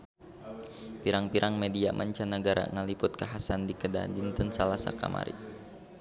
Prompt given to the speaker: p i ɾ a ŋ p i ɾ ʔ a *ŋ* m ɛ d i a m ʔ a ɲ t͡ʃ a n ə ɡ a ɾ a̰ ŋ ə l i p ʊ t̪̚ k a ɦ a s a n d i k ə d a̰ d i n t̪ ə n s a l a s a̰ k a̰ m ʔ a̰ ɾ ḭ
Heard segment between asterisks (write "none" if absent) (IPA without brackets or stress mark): ŋ